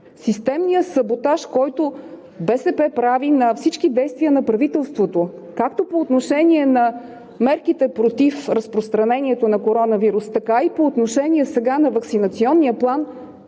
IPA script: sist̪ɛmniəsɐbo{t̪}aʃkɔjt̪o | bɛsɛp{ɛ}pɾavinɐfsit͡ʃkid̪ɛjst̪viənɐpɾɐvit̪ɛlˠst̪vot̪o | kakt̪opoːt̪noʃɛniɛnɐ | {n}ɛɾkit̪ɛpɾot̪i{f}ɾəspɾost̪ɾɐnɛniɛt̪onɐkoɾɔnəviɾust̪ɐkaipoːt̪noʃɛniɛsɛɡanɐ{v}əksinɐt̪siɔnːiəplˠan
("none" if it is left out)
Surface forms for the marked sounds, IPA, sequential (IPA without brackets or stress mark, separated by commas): t̪, ɛ, m, f, v